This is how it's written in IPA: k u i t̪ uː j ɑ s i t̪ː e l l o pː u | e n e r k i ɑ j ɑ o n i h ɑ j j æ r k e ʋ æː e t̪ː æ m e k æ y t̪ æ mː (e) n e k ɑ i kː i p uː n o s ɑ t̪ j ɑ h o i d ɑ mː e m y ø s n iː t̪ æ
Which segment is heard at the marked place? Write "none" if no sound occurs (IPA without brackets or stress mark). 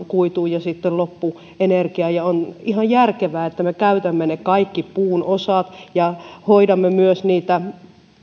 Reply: e